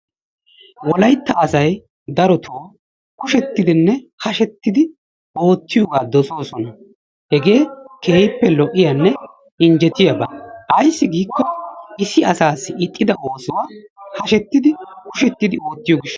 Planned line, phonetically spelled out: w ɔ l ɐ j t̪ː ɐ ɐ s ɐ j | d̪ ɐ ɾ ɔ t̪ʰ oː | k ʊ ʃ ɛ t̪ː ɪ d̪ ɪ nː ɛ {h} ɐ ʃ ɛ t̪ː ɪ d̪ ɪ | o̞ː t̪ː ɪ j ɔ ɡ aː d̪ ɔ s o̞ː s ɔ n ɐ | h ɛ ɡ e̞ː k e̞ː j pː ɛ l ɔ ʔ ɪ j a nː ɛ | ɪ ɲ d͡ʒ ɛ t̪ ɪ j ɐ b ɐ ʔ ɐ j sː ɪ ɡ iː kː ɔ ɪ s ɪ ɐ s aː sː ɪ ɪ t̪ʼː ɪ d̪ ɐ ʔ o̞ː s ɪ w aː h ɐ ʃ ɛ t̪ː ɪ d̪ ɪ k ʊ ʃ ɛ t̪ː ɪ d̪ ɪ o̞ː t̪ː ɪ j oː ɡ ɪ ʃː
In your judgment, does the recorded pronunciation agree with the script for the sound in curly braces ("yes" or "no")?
yes